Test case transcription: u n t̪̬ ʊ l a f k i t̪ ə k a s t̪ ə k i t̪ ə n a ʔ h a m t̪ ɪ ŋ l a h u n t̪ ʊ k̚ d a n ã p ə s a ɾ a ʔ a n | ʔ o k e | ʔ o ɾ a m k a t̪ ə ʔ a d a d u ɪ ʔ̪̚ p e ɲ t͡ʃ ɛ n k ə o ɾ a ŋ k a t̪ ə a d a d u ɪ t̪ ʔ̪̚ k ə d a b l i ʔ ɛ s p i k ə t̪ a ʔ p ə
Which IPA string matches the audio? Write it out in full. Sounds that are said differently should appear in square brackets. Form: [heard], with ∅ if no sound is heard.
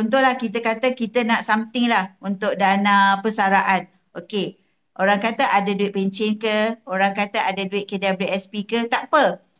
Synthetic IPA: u n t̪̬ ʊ l a [h] k i t̪ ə k a [∅] t̪ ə k i t̪ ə n a ʔ [s] a m t̪ ɪ ŋ l a h u n t̪ ʊ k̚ d a n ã p ə s a ɾ a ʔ a n | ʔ o k e | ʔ o ɾ a [ŋ] k a t̪ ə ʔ a d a d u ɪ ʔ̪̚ p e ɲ t͡ʃ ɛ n k ə o ɾ a ŋ k a t̪ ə a d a d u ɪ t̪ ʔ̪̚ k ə d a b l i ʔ ɛ s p i k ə t̪ a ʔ p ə